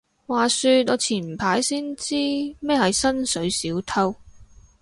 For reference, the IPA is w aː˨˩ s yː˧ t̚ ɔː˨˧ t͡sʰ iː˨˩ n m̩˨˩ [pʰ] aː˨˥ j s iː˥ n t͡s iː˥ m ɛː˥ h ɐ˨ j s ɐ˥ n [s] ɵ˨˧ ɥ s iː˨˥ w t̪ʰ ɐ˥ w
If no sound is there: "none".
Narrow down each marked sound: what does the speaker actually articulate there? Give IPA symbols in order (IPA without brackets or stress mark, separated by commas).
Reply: pʰ, s